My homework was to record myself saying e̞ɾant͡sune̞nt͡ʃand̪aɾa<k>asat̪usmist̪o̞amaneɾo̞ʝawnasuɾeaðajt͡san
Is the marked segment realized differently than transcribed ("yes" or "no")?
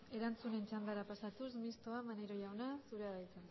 yes